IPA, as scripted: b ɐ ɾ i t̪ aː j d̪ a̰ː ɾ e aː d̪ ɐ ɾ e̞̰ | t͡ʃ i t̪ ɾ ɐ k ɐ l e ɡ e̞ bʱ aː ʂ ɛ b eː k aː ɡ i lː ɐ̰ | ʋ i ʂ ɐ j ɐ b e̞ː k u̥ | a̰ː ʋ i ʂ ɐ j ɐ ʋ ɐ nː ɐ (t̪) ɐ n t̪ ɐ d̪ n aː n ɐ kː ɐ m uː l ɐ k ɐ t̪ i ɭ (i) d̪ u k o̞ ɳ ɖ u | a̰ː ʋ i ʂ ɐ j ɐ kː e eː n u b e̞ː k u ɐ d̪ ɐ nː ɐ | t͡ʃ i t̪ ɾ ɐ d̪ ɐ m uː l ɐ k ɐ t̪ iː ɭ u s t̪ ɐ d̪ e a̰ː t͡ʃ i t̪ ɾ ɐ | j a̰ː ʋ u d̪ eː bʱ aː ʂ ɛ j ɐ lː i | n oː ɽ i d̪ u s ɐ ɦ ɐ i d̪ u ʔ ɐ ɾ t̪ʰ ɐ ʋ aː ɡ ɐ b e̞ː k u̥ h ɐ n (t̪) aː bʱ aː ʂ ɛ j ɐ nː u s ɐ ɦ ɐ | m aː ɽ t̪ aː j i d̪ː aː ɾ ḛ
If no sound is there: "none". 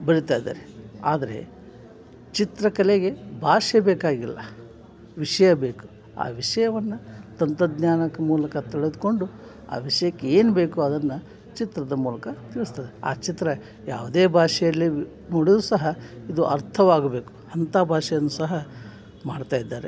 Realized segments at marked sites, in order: t̪, e, t̪

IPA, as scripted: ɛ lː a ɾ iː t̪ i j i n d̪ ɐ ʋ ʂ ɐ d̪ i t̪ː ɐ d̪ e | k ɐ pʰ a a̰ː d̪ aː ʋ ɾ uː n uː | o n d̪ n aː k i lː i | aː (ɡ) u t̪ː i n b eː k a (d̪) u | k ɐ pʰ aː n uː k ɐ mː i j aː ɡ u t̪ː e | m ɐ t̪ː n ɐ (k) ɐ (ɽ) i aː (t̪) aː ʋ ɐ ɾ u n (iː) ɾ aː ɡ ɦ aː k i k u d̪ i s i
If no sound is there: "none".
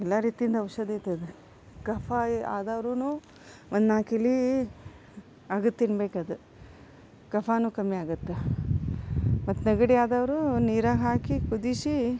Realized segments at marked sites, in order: ɡ, d̪, ɡ, ɽ, d̪, iː

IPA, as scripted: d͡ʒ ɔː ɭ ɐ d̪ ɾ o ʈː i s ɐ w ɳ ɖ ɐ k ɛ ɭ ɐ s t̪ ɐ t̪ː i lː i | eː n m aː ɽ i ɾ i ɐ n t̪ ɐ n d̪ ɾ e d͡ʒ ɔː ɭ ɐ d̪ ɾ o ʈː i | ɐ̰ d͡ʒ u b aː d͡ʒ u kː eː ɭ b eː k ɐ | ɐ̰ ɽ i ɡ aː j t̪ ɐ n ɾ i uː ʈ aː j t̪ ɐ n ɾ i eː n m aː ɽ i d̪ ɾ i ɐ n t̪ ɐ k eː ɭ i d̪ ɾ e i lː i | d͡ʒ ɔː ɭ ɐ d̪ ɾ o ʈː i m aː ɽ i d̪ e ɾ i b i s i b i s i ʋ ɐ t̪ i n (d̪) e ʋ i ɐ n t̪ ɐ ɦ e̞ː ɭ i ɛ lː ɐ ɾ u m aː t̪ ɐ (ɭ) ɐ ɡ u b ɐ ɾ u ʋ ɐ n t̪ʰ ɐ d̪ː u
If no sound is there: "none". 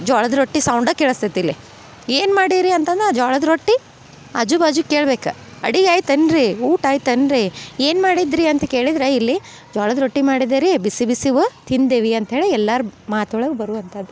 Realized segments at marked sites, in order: d̪, ɭ

